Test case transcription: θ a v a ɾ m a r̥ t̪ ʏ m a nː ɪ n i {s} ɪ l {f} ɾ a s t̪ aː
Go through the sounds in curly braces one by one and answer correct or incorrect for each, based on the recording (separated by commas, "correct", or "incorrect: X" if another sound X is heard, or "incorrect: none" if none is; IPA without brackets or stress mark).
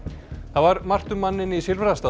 correct, incorrect: v